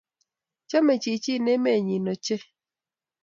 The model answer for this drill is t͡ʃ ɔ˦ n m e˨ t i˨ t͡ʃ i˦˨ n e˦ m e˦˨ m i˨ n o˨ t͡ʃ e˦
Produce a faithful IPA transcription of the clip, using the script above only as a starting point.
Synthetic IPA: t͡ʃ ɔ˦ m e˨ t͡ʃ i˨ t͡ʃ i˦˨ n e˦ m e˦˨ ɲ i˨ n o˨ t͡ʃ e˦